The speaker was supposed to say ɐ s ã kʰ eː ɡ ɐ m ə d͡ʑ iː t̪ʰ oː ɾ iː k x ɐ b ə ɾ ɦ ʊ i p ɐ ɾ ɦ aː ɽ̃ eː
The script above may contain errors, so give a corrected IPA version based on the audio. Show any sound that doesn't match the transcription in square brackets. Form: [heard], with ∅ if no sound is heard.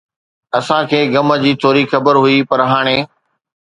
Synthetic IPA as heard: ɐ s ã kʰ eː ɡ ɐ m ə d͡ʑ iː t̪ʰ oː ɾ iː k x ɐ b ə ɾ ɦ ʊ i p ɐ ɾ ɦ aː ɽ̃ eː